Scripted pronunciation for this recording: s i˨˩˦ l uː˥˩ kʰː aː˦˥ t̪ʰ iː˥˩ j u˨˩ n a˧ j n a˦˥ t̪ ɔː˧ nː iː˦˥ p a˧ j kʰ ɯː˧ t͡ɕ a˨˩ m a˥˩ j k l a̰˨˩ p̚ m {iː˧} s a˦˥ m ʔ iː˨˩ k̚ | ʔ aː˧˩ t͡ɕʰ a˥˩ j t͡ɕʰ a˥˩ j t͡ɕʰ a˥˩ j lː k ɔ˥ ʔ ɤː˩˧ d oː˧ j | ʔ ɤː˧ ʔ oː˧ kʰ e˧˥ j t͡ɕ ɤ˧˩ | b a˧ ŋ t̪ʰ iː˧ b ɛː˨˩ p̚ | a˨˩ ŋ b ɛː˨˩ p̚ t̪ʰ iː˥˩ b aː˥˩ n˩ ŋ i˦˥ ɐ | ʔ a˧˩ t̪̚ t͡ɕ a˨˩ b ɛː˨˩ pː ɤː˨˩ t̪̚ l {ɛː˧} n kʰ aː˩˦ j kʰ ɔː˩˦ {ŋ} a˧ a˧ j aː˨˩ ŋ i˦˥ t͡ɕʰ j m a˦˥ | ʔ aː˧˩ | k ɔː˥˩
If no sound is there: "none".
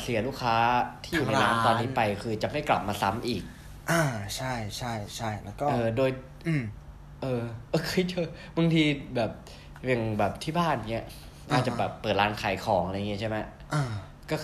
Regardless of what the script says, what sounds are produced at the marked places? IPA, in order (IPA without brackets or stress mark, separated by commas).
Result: aː˧, aː˧, ŋ